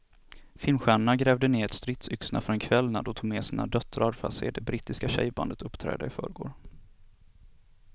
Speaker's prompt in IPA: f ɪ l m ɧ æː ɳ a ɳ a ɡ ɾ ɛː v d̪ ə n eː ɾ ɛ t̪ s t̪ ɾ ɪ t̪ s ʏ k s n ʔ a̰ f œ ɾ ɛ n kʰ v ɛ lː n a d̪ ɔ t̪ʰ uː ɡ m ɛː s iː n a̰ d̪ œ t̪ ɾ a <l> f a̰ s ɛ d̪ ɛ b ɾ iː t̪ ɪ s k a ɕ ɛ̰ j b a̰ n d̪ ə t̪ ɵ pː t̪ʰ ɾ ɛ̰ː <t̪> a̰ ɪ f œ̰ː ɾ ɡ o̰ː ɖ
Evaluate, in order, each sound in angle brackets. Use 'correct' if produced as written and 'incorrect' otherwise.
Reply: incorrect, incorrect

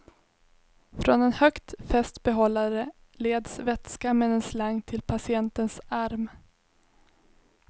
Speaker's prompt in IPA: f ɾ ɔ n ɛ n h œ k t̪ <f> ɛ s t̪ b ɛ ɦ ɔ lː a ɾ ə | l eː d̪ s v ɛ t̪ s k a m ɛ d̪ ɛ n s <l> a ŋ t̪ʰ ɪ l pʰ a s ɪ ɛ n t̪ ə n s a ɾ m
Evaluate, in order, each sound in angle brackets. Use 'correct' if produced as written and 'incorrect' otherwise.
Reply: correct, correct

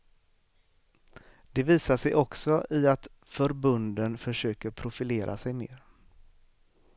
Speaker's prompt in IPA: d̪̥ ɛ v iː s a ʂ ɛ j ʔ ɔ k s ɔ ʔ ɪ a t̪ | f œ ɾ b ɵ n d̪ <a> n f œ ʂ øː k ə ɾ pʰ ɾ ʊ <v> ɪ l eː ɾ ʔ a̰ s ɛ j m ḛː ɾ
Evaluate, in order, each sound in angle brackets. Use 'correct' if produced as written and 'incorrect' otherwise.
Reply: incorrect, incorrect

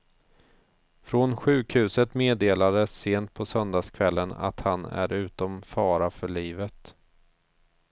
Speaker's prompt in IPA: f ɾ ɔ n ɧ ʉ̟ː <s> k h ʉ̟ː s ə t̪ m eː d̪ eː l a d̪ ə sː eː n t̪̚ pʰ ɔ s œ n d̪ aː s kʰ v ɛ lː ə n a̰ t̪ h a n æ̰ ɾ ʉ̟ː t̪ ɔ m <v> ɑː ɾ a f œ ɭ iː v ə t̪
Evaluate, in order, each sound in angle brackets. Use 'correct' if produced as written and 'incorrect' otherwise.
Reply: incorrect, incorrect

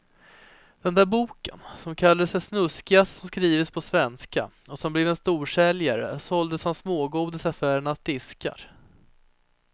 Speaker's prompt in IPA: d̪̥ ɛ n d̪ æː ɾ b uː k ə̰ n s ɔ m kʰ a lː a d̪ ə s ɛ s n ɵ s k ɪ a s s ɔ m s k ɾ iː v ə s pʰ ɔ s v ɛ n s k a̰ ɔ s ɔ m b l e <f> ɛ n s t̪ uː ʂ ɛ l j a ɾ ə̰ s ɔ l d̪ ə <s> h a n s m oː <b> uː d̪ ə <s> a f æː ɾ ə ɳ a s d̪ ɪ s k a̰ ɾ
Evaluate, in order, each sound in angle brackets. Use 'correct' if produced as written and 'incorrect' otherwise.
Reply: incorrect, correct, incorrect, correct

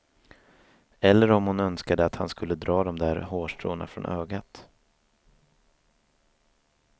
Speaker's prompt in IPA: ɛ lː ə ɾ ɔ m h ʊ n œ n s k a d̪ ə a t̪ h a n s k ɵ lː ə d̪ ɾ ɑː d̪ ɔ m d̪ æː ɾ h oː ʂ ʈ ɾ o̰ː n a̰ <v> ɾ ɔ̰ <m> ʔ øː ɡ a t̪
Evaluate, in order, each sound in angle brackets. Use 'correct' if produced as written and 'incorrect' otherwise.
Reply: incorrect, incorrect

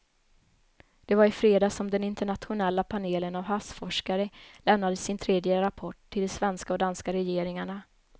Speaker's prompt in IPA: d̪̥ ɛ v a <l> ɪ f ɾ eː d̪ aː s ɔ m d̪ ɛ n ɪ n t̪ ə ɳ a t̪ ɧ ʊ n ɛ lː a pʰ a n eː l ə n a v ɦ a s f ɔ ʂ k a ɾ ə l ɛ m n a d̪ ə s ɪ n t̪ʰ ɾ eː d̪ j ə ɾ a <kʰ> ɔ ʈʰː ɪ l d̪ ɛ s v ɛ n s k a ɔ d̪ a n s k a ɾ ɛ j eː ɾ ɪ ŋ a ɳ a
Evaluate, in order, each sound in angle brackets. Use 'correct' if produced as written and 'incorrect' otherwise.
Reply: incorrect, incorrect

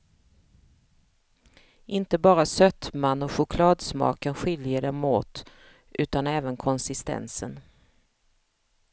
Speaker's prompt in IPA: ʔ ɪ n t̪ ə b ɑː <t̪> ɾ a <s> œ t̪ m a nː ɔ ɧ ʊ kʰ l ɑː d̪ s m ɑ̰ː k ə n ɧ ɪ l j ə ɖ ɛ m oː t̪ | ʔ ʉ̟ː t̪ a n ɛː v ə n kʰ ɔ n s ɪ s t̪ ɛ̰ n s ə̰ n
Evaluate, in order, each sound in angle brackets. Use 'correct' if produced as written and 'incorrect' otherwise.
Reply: incorrect, correct

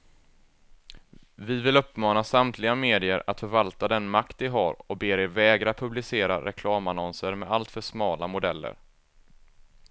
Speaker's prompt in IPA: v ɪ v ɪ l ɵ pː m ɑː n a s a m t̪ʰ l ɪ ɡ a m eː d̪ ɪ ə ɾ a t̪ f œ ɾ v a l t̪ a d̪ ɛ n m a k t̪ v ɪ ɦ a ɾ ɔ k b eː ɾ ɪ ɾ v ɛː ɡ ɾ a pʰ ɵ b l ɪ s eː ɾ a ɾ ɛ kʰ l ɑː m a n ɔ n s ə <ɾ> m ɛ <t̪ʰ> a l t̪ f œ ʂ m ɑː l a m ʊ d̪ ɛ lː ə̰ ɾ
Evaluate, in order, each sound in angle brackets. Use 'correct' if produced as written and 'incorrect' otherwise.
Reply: correct, incorrect

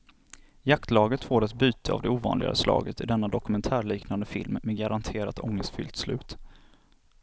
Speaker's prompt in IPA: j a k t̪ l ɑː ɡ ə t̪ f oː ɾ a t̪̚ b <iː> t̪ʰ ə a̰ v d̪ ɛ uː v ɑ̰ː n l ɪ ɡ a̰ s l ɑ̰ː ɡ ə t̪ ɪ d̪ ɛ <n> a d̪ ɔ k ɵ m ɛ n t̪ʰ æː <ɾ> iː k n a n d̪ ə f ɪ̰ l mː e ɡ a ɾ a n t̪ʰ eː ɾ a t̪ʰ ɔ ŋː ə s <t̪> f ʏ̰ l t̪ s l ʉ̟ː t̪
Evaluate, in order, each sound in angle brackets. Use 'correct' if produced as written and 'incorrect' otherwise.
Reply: incorrect, incorrect, incorrect, correct

